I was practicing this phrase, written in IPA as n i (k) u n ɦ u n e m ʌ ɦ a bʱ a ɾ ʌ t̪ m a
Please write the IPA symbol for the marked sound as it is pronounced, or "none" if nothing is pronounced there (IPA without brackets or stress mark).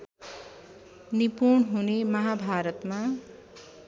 p